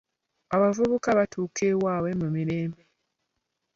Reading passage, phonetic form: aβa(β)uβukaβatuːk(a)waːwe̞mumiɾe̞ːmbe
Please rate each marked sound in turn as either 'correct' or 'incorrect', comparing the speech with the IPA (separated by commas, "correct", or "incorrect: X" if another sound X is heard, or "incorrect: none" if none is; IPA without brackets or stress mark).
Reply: incorrect: v, incorrect: e